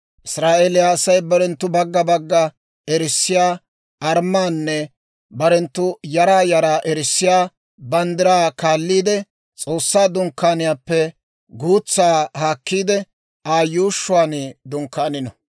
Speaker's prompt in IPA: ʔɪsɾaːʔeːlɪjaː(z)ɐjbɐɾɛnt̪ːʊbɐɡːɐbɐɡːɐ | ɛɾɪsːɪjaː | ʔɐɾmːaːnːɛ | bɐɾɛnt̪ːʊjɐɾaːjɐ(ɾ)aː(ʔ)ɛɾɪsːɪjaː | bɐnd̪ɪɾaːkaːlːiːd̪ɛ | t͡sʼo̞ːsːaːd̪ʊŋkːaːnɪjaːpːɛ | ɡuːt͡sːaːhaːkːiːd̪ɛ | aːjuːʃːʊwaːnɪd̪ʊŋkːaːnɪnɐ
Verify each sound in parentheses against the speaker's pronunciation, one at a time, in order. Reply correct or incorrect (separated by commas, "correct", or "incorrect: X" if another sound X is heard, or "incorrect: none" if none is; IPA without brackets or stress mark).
incorrect: s, correct, correct